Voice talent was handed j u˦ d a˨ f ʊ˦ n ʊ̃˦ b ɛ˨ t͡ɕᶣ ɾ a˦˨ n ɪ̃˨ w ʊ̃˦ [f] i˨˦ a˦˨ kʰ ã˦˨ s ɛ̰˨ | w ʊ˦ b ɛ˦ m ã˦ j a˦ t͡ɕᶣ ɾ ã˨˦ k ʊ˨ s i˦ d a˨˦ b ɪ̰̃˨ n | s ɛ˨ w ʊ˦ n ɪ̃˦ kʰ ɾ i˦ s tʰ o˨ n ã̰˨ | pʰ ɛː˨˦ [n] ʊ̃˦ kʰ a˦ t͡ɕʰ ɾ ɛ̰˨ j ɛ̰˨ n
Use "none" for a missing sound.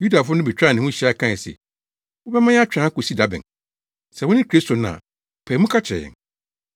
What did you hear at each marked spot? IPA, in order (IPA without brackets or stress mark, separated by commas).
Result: ɕ, m